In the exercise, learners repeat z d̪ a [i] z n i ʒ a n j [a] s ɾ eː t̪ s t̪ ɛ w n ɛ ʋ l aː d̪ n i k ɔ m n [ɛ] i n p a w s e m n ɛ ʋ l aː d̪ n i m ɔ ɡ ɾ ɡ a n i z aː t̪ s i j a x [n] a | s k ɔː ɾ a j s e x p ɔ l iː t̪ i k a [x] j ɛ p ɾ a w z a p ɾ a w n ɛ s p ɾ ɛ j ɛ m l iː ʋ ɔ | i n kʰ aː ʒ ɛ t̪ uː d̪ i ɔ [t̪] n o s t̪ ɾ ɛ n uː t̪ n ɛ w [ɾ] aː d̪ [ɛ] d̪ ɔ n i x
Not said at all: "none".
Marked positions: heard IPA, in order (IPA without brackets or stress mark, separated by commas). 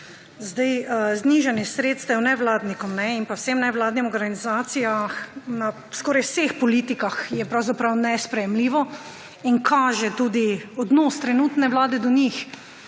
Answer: j, ɛ, ɛ, n, x, d̪, l, ɛ